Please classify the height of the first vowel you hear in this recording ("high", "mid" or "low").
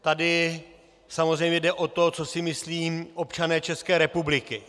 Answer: low